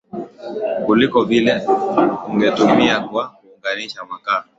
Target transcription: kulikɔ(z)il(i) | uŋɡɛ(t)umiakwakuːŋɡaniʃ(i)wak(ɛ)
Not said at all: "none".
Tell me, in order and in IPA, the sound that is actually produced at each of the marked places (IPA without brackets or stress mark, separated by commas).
v, ɛ, t, a, a